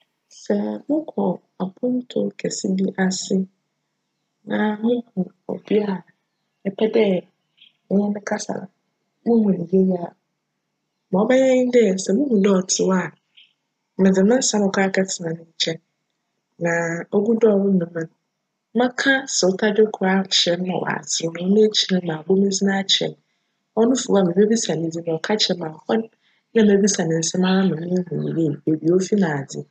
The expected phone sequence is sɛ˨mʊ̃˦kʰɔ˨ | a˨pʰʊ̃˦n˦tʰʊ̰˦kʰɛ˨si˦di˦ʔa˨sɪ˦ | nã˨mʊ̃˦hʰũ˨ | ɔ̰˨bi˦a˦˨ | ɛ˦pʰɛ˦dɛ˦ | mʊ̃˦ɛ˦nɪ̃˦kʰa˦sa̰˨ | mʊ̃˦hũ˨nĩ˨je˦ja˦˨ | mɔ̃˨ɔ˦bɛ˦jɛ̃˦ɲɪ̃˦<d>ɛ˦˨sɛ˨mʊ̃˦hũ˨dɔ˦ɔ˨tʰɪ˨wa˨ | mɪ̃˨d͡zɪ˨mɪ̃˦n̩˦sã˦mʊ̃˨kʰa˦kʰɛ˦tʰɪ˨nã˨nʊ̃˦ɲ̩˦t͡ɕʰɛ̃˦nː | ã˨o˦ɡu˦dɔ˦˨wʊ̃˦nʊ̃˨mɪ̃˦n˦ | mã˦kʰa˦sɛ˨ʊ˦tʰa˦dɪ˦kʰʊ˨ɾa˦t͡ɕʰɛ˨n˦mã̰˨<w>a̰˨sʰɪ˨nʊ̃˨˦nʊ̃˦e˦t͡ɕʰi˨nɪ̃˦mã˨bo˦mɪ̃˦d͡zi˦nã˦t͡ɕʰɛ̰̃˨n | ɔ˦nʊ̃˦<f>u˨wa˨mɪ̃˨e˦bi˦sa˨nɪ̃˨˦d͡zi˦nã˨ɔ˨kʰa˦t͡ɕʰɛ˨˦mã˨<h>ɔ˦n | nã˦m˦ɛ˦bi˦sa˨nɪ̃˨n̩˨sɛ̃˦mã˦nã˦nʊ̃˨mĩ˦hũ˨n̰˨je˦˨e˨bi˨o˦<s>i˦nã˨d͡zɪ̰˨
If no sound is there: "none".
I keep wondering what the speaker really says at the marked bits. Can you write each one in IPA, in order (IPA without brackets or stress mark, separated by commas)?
d, w, f, h, f